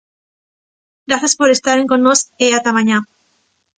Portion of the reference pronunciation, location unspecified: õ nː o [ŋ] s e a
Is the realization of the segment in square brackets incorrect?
yes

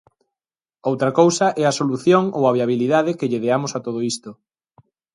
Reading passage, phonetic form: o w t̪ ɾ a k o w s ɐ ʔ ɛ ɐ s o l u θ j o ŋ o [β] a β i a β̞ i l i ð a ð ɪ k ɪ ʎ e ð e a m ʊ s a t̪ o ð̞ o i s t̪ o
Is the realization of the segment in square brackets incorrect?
yes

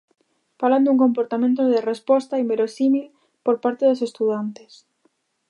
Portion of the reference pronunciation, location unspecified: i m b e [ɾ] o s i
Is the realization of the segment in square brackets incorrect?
no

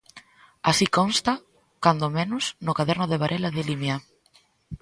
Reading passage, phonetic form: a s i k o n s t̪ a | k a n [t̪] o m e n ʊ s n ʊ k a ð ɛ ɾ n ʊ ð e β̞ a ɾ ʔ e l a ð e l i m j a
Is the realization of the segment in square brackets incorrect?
yes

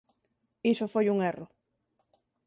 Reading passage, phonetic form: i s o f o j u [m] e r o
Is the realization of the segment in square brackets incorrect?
yes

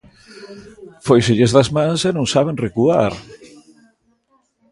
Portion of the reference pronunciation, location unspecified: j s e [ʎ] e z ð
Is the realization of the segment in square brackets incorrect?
no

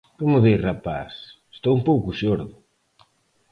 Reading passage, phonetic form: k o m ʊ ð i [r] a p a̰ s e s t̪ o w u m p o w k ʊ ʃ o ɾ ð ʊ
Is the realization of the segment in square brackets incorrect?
no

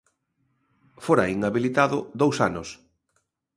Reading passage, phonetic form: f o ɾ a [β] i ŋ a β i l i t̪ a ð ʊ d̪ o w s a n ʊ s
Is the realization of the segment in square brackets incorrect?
yes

